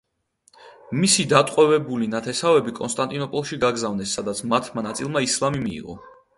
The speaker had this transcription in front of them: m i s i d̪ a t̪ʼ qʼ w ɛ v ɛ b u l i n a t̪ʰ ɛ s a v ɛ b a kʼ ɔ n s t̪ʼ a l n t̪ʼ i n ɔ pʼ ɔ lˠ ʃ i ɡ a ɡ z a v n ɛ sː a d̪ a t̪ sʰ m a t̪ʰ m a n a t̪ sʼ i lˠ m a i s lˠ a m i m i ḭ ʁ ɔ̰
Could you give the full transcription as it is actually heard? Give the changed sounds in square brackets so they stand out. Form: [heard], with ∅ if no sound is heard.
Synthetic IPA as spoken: m i s i d̪ a t̪ʼ qʼ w ɛ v ɛ b u l i n a t̪ʰ ɛ s a v ɛ b [i] kʼ ɔ n s t̪ʼ a [∅] n t̪ʼ i n ɔ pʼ ɔ lˠ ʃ i ɡ a ɡ z a v n ɛ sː a d̪ a t̪ sʰ m a t̪ʰ m a n a t̪ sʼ i lˠ m a i s lˠ a m i m i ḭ ʁ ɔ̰